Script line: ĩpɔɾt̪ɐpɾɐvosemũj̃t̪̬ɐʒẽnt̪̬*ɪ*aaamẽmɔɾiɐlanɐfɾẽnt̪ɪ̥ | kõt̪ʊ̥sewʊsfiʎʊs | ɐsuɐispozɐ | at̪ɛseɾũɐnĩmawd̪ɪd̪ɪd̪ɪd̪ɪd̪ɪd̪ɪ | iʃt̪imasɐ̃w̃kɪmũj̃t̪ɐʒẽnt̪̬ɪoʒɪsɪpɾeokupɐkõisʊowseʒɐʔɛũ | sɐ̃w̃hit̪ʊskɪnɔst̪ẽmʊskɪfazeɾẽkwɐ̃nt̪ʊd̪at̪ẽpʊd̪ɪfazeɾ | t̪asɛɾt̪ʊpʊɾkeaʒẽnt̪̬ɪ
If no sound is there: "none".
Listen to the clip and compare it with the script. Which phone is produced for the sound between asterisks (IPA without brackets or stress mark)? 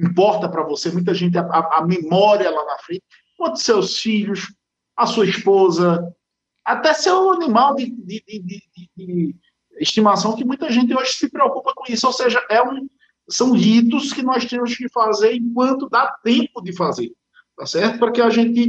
ɪ